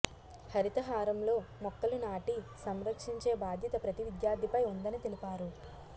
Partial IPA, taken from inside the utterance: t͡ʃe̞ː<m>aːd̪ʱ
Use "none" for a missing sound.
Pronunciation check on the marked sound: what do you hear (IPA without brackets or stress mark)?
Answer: b